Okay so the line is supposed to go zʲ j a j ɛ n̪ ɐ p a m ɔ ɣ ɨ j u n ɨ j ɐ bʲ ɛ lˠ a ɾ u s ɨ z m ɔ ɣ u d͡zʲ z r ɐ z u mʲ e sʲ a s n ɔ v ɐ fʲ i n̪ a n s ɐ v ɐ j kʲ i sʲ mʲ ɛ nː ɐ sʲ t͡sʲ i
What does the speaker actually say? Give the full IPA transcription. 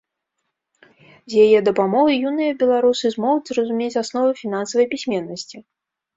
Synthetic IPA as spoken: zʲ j a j ɛ d̪ ɐ p a m ɔ ɣ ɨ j u n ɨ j ɐ bʲ ɛ lˠ a ɾ u s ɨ z m ɔ ɣ u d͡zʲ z r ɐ z u mʲ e t͡sʲ a s n ɔ v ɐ fʲ i n̪ a n s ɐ v ɐ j pʲ i sʲ mʲ ɛ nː ɐ sʲ t͡sʲ i